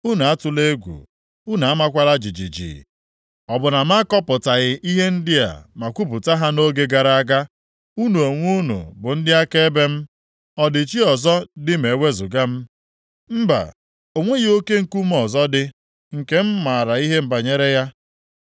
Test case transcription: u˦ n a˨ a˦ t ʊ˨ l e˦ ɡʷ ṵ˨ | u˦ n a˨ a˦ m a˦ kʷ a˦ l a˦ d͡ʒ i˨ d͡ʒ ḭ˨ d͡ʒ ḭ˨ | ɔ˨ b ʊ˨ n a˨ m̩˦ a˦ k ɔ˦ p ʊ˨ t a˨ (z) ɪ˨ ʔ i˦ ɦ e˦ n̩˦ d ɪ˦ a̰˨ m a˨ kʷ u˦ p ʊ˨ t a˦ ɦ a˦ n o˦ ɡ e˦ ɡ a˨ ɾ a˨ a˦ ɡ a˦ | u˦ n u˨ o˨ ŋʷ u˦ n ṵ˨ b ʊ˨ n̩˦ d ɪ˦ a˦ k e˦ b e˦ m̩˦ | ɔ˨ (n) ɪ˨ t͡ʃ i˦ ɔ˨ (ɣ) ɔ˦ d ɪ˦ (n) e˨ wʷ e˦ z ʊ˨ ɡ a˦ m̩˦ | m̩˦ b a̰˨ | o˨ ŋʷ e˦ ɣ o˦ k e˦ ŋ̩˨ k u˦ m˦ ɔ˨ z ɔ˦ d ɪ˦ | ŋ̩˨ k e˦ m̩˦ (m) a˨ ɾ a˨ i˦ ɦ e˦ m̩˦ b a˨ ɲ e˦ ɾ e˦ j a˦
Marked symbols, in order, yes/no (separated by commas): no, no, no, no, yes